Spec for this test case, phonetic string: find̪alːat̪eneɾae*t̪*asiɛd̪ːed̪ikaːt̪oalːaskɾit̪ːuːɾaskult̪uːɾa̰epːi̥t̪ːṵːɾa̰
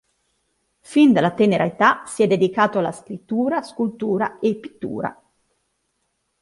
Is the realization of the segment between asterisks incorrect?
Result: no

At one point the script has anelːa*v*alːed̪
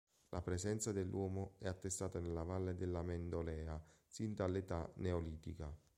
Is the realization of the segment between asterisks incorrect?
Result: no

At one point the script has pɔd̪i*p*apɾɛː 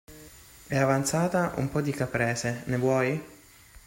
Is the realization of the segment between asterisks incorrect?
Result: yes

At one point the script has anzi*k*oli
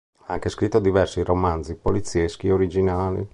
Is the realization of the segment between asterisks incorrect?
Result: yes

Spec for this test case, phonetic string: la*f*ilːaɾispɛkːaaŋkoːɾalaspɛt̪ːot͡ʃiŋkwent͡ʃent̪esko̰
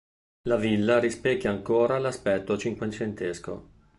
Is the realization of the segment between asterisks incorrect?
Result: yes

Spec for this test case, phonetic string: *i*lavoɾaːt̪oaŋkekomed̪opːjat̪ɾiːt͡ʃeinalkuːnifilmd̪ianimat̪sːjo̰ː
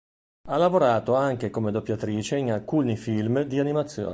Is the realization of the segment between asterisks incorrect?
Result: yes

